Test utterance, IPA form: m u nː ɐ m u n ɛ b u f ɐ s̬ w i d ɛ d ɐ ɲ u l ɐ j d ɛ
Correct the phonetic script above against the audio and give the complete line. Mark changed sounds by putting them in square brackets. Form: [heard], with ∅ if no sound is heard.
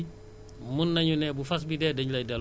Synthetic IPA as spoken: m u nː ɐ [ɲ] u n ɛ b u f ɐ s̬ [b] i d ɛ d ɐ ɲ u l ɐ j d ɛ